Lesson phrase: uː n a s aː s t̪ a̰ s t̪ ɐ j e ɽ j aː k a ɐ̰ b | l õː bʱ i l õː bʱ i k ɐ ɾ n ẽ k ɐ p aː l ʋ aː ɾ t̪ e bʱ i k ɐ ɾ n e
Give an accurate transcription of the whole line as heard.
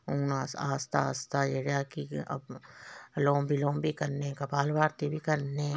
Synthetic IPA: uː n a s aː s t̪ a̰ s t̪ a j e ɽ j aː k i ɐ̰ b | l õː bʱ i l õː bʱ i k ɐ ɾ n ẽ k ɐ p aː l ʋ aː ɾ t̪ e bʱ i k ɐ ɾ n e